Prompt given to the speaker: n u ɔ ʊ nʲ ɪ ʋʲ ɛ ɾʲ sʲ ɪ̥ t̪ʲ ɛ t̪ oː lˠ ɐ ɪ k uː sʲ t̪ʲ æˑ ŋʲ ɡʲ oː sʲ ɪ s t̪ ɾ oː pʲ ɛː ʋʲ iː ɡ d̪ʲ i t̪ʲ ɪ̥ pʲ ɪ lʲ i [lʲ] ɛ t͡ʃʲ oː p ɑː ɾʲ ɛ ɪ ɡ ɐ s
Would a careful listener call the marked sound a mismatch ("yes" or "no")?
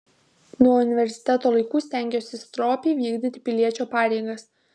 yes